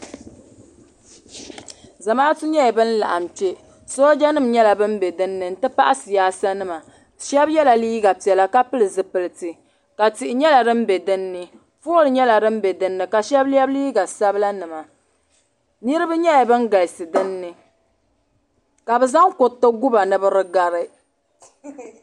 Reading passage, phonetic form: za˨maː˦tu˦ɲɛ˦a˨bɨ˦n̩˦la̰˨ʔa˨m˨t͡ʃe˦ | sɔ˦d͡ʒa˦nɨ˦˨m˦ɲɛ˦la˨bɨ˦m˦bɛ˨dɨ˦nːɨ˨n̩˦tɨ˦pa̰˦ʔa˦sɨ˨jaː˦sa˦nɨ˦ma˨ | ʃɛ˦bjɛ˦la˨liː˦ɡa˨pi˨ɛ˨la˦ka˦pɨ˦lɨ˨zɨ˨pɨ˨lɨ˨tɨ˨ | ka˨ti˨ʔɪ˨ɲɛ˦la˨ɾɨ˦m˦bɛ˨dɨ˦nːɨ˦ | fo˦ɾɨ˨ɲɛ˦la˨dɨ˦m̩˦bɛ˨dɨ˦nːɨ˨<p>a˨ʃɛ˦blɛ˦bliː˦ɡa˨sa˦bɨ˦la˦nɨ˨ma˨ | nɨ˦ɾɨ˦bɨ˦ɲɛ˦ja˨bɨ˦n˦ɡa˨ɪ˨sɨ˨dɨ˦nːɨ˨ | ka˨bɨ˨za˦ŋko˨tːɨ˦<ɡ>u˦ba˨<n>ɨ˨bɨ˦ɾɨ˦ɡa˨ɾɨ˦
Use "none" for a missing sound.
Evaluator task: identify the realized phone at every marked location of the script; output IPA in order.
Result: k, ɡ, n

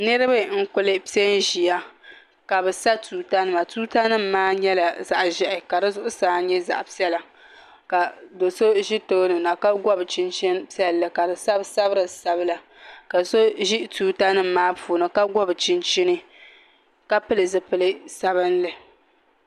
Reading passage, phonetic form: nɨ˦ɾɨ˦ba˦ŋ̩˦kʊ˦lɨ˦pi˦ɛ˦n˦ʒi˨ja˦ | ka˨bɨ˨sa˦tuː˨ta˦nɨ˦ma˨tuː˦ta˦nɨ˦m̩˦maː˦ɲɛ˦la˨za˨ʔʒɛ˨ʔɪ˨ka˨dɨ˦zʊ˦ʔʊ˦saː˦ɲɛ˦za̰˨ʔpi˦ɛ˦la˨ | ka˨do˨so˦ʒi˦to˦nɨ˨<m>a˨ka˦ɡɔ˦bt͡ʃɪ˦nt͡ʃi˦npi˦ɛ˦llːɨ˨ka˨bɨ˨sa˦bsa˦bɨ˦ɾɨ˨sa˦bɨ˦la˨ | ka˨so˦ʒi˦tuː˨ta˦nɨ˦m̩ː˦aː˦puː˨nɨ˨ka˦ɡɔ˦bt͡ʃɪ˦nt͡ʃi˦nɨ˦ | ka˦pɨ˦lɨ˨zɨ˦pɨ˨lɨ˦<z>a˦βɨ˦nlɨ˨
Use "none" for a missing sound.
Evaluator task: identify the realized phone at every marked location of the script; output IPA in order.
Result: n, s

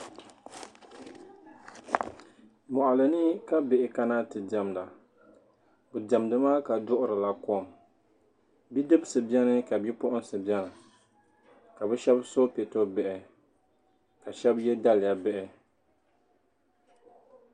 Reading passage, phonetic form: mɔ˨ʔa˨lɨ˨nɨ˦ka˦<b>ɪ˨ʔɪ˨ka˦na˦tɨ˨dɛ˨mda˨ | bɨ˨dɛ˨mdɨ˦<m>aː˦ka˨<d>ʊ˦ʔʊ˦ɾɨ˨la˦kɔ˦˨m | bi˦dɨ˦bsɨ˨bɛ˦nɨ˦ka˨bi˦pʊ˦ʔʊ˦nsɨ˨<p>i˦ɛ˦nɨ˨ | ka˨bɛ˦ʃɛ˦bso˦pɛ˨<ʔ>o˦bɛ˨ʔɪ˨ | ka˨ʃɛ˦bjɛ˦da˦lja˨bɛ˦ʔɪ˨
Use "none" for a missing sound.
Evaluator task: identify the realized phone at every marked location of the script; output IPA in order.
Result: b, m, d, b, t

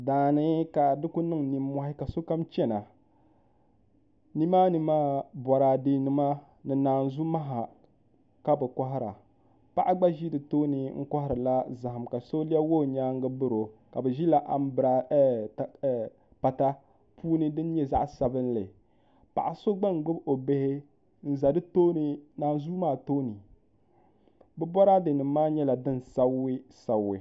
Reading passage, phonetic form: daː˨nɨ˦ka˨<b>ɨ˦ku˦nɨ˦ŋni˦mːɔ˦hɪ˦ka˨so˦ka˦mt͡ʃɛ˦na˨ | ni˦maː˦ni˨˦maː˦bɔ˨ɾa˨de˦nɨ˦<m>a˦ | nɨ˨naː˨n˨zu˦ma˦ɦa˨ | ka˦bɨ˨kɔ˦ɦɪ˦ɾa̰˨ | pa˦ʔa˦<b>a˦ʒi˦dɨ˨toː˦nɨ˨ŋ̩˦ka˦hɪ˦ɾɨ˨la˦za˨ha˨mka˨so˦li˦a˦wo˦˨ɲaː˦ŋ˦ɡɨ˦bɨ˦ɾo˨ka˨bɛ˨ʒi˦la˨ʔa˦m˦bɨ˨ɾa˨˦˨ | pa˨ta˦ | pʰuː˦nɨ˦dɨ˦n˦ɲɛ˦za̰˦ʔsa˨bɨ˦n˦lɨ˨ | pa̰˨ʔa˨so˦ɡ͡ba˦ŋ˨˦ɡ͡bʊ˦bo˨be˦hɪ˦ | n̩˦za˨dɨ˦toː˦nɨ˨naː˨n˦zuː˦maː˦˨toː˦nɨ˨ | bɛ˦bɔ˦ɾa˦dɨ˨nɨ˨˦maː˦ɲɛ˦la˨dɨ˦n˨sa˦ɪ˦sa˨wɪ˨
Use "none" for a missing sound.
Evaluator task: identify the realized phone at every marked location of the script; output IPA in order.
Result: d, m, ɡ͡b

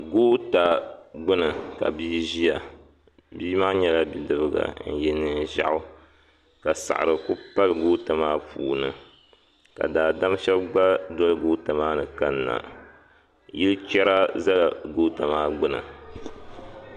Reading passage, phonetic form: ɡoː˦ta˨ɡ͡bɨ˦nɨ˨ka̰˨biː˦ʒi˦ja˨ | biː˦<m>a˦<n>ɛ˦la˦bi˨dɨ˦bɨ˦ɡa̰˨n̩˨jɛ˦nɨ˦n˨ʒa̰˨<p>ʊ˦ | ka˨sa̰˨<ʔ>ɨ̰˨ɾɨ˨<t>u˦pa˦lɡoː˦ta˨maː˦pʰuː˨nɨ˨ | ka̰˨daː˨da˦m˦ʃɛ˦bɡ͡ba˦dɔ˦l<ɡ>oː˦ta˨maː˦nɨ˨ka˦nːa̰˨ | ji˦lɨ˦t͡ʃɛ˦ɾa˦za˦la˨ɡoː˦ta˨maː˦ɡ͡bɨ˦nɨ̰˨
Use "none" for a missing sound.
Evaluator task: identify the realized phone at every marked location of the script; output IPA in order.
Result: m, ɲ, ʔ, ʔ, k, ɡ

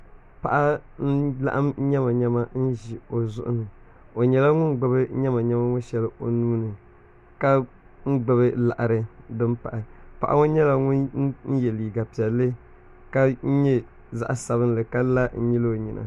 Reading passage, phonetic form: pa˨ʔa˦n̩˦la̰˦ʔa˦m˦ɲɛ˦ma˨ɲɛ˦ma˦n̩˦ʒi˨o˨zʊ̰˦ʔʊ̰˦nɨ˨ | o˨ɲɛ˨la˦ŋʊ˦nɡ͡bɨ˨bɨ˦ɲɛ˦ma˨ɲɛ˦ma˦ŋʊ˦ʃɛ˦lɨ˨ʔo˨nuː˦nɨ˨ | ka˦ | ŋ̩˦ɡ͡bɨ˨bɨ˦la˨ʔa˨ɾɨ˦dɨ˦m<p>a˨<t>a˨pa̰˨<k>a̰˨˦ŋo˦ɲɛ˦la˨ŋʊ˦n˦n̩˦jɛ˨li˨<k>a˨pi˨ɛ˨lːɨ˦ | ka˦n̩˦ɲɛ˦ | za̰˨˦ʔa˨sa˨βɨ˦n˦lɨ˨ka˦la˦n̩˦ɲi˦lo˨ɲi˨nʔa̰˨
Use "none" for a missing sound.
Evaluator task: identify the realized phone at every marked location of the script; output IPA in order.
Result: p, ʔ, ʔ, ɡ

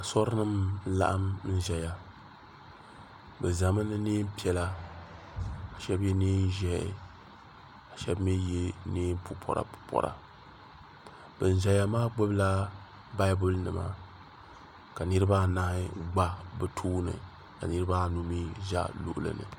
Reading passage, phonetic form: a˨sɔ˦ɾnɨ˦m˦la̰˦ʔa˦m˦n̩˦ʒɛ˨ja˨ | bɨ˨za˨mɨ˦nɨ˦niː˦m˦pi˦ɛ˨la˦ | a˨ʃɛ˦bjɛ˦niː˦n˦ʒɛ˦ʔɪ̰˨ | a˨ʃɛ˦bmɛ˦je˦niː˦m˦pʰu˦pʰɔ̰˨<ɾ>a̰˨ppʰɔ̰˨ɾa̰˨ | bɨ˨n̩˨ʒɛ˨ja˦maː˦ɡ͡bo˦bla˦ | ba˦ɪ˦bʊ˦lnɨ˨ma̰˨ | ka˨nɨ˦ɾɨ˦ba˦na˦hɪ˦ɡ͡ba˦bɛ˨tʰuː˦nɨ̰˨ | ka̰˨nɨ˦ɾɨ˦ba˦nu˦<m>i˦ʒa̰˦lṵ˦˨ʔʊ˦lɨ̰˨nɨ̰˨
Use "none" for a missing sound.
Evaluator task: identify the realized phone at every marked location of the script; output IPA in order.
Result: ɾ, m

